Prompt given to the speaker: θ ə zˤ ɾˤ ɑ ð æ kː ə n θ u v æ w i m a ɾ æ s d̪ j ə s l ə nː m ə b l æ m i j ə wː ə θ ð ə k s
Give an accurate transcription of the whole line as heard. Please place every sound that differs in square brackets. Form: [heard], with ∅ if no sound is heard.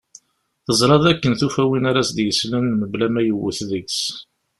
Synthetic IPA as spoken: θ ə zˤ ɾˤ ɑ ð æ kː ə n θ u [f] æ w i [n] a ɾ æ s d̪ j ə s l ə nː m ə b l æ m [æ] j ə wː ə θ ð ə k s